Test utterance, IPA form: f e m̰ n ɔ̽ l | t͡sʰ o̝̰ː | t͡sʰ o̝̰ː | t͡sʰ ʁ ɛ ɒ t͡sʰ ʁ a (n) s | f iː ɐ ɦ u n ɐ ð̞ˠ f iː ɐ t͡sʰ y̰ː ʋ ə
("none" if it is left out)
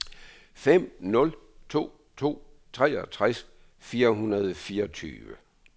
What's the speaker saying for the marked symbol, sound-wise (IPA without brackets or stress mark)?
none